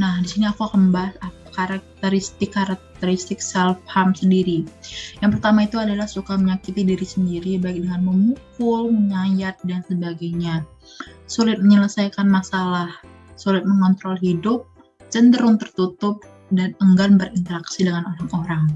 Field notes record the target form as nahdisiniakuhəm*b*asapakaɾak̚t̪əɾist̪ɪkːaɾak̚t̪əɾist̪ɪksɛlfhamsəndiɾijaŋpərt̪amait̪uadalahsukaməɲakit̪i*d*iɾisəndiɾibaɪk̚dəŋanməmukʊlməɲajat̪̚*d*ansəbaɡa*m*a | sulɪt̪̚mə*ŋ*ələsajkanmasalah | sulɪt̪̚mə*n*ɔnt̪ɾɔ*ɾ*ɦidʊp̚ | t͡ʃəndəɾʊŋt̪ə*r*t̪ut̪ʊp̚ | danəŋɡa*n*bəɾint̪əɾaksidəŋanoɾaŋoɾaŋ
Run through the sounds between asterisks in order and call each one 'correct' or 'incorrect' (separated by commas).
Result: correct, correct, correct, incorrect, incorrect, incorrect, incorrect, correct, correct